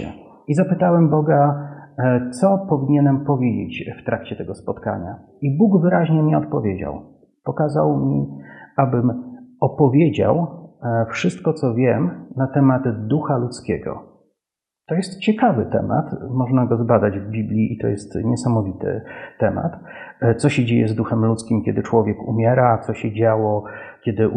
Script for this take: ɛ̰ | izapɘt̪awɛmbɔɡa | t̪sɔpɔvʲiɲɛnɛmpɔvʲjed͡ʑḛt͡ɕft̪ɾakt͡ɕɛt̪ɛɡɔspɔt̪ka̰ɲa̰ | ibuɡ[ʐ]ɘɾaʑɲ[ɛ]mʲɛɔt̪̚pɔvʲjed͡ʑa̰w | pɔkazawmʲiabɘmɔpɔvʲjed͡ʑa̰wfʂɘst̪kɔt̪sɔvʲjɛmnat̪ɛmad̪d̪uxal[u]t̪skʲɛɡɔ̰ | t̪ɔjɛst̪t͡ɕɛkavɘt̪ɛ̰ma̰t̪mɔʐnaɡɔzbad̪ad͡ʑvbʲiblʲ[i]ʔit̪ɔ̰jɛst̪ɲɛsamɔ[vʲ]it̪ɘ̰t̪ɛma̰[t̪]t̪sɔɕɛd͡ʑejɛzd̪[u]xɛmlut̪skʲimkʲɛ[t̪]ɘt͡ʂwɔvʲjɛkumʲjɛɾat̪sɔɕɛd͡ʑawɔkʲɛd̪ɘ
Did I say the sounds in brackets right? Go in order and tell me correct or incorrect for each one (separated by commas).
incorrect, correct, correct, correct, correct, correct, correct, incorrect